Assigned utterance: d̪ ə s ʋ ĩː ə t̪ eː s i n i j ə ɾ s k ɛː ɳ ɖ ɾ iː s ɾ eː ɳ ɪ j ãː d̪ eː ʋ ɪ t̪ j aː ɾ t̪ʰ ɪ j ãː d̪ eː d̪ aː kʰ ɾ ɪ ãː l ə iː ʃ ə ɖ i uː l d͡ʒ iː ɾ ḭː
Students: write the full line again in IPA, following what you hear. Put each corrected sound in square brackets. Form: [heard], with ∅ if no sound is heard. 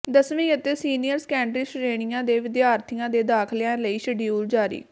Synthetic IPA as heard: d̪ ə s ʋ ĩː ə t̪ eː s [iː] n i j ə ɾ s k ɛː ɳ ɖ ɾ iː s ɾ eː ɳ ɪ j ãː d̪ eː ʋ ɪ [d̪] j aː ɾ t̪ʰ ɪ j ãː d̪ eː d̪ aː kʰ [l] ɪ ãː l ə iː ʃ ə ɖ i uː l d͡ʒ [aː] ɾ ḭː